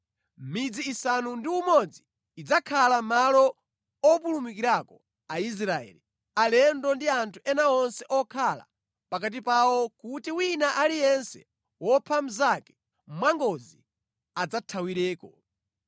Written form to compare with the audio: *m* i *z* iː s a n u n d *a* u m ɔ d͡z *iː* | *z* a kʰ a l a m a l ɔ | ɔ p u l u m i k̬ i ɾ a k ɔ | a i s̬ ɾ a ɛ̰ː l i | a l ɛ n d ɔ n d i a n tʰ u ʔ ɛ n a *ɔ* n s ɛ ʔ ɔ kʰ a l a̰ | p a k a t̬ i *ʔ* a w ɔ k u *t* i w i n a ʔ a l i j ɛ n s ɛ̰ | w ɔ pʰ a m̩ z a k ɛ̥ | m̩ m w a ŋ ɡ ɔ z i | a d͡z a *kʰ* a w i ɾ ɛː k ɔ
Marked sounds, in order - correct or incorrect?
correct, incorrect: d͡z, incorrect: i, correct, incorrect: d͡z, correct, incorrect: p, correct, incorrect: tʰ

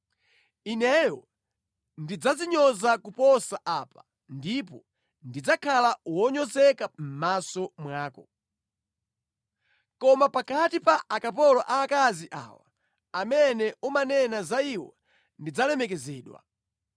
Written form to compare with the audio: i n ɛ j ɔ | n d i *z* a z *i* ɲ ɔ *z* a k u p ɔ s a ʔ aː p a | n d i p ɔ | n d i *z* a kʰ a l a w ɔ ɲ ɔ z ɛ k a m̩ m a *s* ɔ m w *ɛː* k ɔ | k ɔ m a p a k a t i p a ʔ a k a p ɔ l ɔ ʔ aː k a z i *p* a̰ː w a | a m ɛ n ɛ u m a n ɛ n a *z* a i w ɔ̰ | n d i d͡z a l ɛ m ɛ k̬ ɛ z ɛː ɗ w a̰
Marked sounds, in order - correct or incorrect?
incorrect: d͡z, correct, correct, incorrect: d͡z, correct, incorrect: aː, incorrect: ʔ, correct

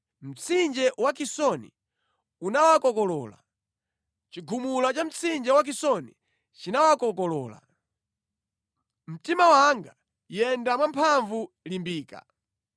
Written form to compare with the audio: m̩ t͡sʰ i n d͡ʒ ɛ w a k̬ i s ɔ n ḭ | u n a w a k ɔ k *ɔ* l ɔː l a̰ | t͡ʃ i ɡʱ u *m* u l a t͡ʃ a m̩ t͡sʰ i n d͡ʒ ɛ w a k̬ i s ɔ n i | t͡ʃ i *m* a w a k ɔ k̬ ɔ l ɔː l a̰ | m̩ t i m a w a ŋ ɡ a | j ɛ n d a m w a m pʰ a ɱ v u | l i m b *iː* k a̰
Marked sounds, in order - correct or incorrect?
correct, correct, incorrect: n, correct

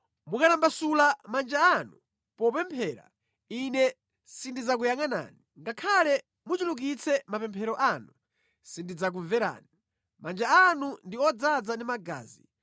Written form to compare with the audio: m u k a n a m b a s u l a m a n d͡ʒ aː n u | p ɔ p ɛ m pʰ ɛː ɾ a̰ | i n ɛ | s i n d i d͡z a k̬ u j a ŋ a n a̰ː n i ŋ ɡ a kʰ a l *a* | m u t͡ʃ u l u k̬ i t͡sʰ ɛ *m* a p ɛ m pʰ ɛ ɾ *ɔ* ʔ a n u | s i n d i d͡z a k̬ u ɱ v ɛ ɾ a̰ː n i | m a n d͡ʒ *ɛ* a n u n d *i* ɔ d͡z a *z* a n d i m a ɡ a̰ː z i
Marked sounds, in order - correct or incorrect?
incorrect: ɛ, correct, correct, incorrect: a, correct, incorrect: d͡z

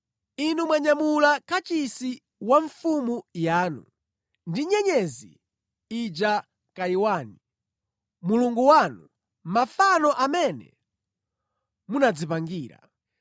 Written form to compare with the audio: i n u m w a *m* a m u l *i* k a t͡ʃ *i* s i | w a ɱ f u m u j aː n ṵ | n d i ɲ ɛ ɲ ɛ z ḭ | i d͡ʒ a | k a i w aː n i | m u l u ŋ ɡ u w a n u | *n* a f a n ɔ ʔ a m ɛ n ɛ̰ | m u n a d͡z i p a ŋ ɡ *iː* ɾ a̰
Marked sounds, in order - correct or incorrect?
incorrect: ɲ, incorrect: a, correct, incorrect: m, correct

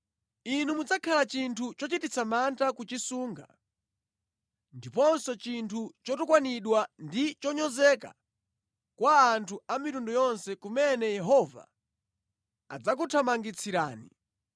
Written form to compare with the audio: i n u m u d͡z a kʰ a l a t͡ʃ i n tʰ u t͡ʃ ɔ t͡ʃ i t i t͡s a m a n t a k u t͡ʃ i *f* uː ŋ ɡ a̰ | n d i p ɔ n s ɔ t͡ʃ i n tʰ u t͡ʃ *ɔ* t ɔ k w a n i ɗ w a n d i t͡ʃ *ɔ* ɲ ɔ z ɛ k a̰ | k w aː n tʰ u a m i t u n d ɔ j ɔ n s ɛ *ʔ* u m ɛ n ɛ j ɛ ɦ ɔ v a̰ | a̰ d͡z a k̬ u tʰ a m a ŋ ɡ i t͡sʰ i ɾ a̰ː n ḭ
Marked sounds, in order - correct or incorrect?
incorrect: s, correct, correct, incorrect: k

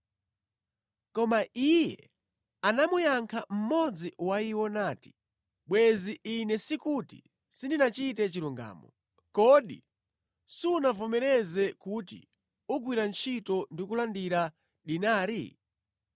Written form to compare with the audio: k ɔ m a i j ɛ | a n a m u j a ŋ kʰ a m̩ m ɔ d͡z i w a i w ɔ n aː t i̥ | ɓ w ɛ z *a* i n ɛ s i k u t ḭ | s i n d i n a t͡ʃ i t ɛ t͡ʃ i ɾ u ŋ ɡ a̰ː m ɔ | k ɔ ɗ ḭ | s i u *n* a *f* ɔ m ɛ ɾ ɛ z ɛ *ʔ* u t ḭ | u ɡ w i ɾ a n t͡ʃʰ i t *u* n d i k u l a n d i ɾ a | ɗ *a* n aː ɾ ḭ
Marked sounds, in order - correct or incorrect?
incorrect: i, correct, incorrect: v, incorrect: k, incorrect: ɔ, incorrect: i

